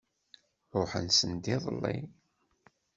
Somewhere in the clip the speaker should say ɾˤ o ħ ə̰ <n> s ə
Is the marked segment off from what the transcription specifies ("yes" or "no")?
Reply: no